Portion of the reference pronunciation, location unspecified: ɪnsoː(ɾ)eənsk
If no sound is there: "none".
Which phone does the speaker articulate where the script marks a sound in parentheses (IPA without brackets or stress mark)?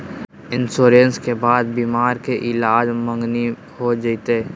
ɾ